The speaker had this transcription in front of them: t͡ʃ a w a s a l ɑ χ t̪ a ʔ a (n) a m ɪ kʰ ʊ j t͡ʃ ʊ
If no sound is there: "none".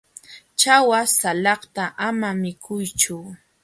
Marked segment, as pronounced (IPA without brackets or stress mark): m